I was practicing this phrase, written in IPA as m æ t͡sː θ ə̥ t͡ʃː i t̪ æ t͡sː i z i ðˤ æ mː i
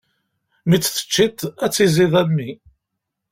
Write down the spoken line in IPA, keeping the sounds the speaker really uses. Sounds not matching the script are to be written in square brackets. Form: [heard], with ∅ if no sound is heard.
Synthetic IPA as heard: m [i] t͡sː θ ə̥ t͡ʃː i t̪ æ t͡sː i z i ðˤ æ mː i